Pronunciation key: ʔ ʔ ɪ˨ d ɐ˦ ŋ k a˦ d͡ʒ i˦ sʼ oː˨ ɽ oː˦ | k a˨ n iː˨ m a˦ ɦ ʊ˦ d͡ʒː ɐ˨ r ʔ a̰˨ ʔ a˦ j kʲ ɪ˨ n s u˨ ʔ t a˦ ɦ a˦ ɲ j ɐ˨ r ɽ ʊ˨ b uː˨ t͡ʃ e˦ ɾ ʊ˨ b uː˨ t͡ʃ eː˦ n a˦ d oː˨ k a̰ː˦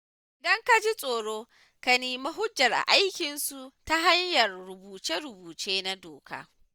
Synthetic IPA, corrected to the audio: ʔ ʔ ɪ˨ d ɐ˦ ŋ k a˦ d͡ʒ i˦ sʼ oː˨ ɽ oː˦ | k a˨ n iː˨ m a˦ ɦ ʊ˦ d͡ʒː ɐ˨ r ʔ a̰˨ ʔ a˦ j kʲ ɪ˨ n s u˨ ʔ t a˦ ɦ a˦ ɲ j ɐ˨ r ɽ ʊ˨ b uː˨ t͡ʃ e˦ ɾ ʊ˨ b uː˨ t͡ʃ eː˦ n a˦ d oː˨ k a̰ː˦